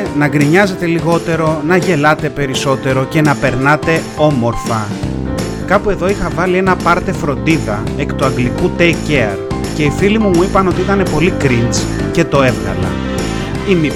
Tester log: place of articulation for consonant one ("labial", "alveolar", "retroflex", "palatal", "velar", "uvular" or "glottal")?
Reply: alveolar